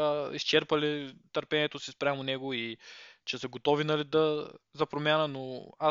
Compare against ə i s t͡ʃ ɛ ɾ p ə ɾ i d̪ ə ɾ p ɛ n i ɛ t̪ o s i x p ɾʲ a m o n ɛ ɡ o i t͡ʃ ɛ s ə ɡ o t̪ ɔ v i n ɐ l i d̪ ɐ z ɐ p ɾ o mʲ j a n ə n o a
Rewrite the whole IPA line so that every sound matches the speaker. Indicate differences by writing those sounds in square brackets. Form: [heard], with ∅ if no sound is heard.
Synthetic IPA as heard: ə i s t͡ʃ ɛ ɾ p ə [l] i [t̪] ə ɾ p ɛ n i ɛ t̪ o s i [s] p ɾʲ a m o n ɛ ɡ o i t͡ʃ ɛ s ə ɡ o t̪ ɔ v i n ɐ l i d̪ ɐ z ɐ p ɾ o mʲ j a n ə n o a